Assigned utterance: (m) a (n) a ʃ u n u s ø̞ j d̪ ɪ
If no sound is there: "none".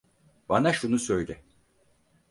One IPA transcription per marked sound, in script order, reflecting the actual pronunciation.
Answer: b, n

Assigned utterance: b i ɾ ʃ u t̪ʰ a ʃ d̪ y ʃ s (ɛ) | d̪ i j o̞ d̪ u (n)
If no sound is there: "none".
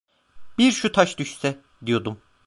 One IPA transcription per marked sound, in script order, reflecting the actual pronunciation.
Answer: ɛ, m

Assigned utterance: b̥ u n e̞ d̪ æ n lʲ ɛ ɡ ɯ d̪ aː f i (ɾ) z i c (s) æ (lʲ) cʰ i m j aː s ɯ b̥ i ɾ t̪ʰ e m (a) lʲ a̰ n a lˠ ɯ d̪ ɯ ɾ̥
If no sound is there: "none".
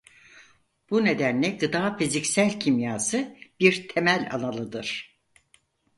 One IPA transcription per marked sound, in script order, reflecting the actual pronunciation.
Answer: none, s, lʲ, æ

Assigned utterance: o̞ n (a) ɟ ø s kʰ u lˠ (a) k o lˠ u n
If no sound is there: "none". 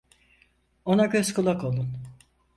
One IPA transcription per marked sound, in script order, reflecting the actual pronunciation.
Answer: a, a

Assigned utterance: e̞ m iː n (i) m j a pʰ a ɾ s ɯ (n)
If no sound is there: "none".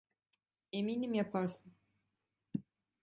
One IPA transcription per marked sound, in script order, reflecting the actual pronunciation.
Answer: i, n

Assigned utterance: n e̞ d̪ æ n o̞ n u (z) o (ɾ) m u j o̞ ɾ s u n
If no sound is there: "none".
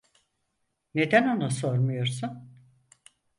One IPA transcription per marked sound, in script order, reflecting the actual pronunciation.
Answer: s, ɾ

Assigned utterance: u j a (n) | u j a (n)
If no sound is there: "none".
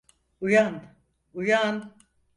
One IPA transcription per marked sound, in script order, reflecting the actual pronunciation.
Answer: n, n

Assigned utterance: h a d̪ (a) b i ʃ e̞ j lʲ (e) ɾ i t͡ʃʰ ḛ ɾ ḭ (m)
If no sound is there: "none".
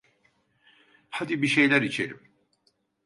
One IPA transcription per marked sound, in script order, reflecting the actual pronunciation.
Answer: i, æ, m

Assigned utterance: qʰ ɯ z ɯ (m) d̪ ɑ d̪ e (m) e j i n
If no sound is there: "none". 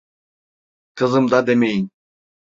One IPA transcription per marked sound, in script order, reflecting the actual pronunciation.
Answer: m, m

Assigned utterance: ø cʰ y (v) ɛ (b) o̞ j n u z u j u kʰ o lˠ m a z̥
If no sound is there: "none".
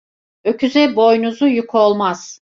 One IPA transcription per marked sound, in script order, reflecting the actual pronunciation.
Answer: z, b

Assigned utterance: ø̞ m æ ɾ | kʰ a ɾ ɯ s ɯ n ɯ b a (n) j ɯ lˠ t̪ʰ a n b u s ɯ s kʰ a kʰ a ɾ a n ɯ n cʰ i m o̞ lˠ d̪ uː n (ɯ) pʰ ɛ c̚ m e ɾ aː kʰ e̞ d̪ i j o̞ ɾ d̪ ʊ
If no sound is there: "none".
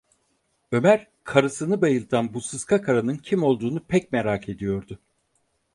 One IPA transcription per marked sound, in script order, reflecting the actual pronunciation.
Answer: none, u

